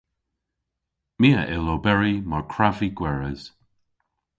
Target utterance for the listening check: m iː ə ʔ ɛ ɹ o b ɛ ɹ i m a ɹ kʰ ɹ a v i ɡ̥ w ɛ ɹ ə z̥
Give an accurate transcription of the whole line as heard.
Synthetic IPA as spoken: m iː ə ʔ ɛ l o b ɛ ɹ i m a ɹ kʰ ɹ a v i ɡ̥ w ɛ ɹ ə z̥